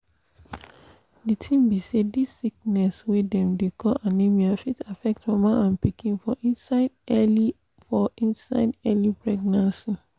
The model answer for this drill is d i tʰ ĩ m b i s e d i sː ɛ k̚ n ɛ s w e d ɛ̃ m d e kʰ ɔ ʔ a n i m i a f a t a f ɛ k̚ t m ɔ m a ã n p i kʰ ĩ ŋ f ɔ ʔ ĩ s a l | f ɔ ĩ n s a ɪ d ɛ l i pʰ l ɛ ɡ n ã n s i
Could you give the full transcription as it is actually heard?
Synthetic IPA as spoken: d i tʰ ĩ m b i s e d i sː i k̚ n ɛ s w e d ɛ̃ m d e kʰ ɔ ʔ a n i m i a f i t a f ɛ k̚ t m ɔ m a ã n p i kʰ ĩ n f ɔ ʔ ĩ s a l | f ɔ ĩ n s a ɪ d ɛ l i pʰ ɹ ɛ ɡ n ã n s i